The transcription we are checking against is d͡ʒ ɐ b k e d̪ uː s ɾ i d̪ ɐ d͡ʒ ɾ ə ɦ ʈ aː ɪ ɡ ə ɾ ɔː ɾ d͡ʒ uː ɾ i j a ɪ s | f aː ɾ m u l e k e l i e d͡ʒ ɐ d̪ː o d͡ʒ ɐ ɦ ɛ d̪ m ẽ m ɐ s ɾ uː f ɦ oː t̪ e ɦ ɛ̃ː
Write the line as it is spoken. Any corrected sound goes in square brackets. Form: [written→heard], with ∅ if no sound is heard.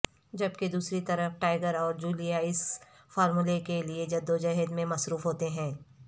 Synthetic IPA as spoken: d͡ʒ ɐ b k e d̪ uː s ɾ i [d̪→t̪] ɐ [d͡ʒ→∅] ɾ ə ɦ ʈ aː ɪ ɡ ə ɾ ɔː ɾ d͡ʒ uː [ɾ→l] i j a ɪ s | f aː ɾ m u l e k e l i e d͡ʒ ɐ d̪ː o d͡ʒ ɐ ɦ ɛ d̪ m ẽ m ɐ s ɾ uː f ɦ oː t̪ e ɦ ɛ̃ː